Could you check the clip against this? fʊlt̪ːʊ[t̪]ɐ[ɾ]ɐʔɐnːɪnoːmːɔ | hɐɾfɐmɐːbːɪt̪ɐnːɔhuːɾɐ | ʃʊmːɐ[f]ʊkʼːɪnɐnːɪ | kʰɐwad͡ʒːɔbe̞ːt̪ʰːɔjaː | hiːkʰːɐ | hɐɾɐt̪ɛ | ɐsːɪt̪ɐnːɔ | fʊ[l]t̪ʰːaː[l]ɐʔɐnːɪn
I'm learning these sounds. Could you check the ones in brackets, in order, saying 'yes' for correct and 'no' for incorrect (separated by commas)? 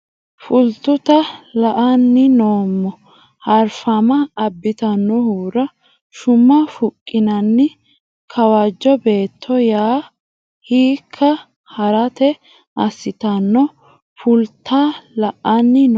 yes, no, yes, yes, yes